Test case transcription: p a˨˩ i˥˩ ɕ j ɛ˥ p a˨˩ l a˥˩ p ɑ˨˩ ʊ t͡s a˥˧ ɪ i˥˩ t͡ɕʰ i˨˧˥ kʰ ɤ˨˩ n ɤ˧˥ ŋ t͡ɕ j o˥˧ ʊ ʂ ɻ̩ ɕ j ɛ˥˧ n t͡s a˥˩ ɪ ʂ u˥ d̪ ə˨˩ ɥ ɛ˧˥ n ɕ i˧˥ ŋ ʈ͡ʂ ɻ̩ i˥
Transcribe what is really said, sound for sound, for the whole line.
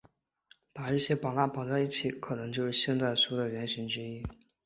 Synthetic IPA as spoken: p a˨˩ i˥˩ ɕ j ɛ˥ p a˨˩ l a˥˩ p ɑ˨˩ ʊ t͡s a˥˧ ɪ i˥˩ t͡ɕʰ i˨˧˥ kʰ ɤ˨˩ n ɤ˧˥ ŋ t͡ɕ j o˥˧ ʊ ʂ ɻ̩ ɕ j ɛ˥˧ n t͡s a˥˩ ɪ ʂ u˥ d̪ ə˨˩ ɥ ɛ˧˥ n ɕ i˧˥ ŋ ʈ͡ʂ ɻ̩ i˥

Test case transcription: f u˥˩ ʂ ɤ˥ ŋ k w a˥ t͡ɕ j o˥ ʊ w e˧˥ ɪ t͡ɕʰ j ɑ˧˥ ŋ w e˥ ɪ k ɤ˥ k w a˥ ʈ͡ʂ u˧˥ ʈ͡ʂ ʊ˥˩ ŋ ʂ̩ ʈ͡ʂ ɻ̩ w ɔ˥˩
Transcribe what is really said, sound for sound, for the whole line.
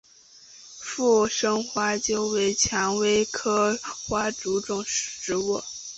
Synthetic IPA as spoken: f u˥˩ ʂ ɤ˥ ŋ x w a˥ t͡ɕ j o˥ ʊ w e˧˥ ɪ t͡ɕʰ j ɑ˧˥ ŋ w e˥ ɪ kʰ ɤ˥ x w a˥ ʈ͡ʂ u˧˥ ʈ͡ʂ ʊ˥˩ ŋ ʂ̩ ʈ͡ʂ ɻ̩ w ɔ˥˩

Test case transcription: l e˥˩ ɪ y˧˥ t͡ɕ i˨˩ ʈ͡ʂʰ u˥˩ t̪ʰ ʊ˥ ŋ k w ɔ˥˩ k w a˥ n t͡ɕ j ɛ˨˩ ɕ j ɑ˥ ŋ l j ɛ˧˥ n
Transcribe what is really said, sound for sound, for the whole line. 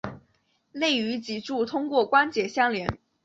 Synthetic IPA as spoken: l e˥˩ ɪ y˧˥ t͡ɕ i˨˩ ʈ͡ʂ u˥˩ t̪ʰ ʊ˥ ŋ k w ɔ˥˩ k w a˥ n t͡ɕ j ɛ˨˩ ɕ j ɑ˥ ŋ l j ɛ˧˥ n

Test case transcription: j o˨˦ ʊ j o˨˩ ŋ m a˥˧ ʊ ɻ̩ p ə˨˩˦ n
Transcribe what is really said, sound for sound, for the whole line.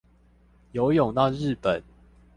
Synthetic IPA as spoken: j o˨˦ ʊ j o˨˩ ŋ n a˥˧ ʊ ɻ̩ p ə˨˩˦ n

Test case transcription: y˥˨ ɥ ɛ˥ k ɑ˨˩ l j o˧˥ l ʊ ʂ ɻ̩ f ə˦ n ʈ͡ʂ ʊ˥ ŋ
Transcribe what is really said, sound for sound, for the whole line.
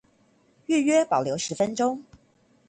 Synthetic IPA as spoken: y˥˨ ɥ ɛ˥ p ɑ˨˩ l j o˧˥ ʊ ʂ ɻ̩ f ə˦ n ʈ͡ʂ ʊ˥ ŋ

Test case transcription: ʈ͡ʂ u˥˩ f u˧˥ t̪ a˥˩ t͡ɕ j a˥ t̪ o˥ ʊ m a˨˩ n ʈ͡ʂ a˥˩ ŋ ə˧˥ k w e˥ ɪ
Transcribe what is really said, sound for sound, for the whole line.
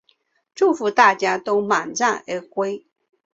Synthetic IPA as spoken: ʈ͡ʂ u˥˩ f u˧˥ t̪ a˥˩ t͡ɕ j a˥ t̪ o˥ ʊ m a˨˩ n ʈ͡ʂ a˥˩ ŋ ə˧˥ k w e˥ ɪ

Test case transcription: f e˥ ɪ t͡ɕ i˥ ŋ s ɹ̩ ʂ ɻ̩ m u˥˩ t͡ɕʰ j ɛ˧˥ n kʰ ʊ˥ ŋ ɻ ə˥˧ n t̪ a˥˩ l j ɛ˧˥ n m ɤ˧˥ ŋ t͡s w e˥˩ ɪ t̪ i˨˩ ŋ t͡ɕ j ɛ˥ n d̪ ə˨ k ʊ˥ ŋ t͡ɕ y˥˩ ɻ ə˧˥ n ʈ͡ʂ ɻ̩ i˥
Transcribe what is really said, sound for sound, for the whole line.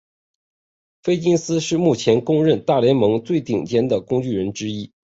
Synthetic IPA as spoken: f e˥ ɪ t͡ɕ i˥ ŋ s ɹ̩ ʂ ɻ̩ m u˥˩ t͡ɕʰ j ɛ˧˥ n k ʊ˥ ŋ ɻ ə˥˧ n t̪ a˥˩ l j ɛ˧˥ n m ɤ˧˥ ŋ t͡s w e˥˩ ɪ t̪ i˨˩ ŋ t͡ɕ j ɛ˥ n d̪ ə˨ k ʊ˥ ŋ t͡ɕ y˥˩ ɻ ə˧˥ n ʈ͡ʂ ɻ̩ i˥

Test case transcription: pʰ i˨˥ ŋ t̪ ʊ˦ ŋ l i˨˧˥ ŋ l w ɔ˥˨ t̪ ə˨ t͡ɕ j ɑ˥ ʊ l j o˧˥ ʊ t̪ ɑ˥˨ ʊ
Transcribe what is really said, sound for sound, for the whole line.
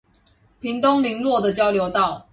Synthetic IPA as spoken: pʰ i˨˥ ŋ t̪ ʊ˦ ŋ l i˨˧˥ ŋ l w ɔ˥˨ d̪ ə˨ t͡ɕ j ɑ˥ ʊ l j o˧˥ ʊ t̪ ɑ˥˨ ʊ

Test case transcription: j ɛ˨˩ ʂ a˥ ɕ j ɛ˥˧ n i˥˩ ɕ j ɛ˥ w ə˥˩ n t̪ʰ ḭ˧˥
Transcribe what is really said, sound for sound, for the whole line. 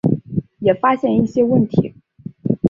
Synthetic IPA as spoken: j ɛ˨˩ f a˥ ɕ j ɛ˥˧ n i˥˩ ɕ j ɛ˥ w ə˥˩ n t̪ʰ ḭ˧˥

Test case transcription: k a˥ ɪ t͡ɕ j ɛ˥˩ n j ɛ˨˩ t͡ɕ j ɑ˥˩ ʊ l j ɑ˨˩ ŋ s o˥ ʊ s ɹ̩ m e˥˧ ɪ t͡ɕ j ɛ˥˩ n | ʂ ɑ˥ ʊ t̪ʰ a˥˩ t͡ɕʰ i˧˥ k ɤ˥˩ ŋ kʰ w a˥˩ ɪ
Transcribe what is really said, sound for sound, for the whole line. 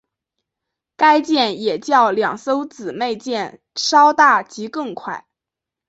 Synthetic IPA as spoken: k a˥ ɪ t͡ɕ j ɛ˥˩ n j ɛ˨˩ t͡ɕ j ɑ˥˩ ʊ l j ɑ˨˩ ŋ s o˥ ʊ t͡s ɹ̩ m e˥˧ ɪ t͡ɕ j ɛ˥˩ n | ʂ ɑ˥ ʊ t̪ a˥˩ t͡ɕ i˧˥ k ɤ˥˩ ŋ kʰ w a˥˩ ɪ

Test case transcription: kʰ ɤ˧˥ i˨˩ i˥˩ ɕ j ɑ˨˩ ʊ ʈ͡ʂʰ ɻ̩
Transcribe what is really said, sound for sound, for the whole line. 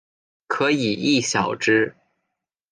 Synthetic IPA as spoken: kʰ ɤ˧˥ i˨˩ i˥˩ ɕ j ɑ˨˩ ʊ ʈ͡ʂ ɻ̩

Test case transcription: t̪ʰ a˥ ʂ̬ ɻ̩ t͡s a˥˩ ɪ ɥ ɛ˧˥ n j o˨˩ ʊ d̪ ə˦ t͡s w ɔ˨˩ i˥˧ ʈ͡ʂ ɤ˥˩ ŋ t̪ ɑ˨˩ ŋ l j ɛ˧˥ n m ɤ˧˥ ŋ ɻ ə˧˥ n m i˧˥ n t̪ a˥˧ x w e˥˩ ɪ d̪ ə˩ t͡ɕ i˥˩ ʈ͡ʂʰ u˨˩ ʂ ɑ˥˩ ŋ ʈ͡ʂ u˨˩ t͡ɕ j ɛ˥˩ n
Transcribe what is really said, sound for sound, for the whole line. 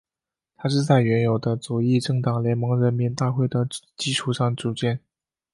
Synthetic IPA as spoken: t̪ʰ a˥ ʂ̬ ɻ̩ t͡s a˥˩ ɪ ɥ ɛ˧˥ n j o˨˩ ʊ d̪ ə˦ t͡s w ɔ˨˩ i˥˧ ʈ͡ʂ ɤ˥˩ ŋ t̪ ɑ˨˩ ŋ l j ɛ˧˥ n m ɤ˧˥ ŋ ɻ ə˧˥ n m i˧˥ n t̪ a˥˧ x w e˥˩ ɪ d̪ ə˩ t͡ɕ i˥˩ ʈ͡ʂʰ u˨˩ ʂ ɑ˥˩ ŋ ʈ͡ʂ u˨˩ t͡ɕ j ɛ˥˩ n

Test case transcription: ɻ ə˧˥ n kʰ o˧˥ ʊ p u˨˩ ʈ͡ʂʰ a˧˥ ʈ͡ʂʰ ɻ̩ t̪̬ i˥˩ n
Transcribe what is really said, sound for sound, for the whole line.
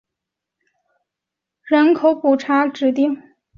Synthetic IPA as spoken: ɻ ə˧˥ n kʰ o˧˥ ʊ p u˨˩ ʈ͡ʂʰ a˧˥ ʈ͡ʂ ɻ̩ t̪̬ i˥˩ ŋ

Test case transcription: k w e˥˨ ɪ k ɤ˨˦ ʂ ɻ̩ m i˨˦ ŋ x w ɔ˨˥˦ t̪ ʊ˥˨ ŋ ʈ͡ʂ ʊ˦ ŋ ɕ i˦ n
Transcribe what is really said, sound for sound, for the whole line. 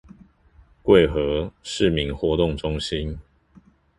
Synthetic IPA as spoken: k w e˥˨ ɪ x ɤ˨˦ ʂ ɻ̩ m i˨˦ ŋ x w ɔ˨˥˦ t̪ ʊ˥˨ ŋ ʈ͡ʂ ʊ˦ ŋ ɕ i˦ n

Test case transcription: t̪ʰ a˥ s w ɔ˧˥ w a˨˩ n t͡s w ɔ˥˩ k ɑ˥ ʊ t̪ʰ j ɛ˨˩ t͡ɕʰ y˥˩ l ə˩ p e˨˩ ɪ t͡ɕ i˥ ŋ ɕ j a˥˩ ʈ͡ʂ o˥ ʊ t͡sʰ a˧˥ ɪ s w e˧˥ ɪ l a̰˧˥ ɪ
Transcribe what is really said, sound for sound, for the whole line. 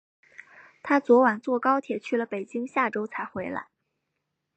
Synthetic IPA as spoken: t̪ʰ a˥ t͡s w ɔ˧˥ w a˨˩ n t͡s w ɔ˥˩ k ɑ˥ ʊ t̪ʰ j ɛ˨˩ t͡ɕʰ y˥˩ l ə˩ p e˨˩ ɪ t͡ɕ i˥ ŋ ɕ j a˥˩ ʈ͡ʂ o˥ ʊ t͡sʰ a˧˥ ɪ x w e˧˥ ɪ l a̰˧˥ ɪ

